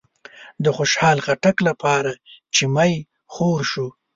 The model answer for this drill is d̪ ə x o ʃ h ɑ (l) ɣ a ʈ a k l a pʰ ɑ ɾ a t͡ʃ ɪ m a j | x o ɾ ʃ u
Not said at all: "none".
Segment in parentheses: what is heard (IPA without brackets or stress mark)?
l